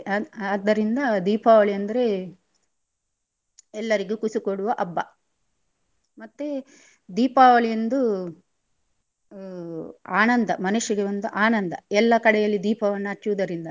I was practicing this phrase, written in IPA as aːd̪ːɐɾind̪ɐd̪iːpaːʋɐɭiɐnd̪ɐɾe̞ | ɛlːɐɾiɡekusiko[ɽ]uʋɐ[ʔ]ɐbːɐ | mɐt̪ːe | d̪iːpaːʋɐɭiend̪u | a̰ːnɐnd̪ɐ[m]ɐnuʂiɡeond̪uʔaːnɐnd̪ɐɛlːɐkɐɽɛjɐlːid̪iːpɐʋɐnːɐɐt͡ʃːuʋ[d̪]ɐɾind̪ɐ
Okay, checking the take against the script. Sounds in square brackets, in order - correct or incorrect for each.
correct, correct, correct, correct

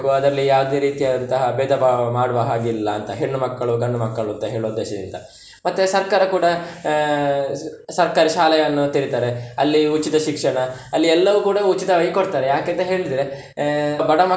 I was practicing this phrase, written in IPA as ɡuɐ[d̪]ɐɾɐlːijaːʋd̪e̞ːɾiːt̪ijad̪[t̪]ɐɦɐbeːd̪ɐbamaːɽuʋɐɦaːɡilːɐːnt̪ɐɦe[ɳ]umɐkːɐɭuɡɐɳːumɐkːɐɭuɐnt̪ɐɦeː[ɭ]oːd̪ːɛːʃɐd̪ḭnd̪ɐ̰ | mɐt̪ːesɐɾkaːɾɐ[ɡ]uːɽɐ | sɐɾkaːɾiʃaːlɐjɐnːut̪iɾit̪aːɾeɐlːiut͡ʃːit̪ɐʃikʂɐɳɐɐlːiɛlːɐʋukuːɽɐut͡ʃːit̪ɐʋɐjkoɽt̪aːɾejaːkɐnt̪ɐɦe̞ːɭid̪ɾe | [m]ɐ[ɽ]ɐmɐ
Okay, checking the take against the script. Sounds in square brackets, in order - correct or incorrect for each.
correct, correct, incorrect: ɳː, correct, incorrect: k, incorrect: b, correct

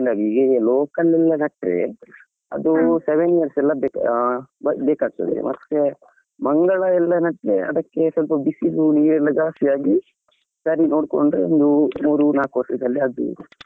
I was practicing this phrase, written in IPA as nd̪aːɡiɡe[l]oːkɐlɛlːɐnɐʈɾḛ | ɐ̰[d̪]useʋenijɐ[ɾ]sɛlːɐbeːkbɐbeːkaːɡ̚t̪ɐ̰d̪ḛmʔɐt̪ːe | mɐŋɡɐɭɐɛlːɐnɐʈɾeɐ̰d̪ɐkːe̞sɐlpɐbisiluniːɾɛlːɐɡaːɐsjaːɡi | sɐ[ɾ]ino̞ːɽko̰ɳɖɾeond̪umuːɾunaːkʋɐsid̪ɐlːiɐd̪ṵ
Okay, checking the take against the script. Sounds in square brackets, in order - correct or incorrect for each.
correct, correct, correct, correct

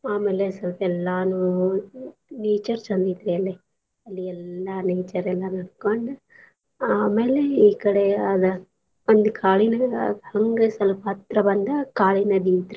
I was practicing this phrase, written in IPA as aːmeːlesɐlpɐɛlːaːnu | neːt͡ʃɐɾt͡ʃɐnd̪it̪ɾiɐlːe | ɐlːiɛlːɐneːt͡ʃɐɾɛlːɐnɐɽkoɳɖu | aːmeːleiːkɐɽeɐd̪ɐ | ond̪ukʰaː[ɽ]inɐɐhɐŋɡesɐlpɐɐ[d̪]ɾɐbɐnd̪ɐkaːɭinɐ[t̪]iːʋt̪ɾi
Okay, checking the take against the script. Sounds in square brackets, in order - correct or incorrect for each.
incorrect: ɭ, incorrect: t̪, incorrect: d̪

